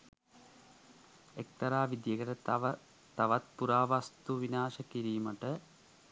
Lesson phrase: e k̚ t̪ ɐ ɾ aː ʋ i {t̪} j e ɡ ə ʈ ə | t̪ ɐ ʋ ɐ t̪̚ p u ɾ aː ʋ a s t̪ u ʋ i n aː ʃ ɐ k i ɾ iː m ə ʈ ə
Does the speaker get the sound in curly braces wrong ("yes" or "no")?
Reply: yes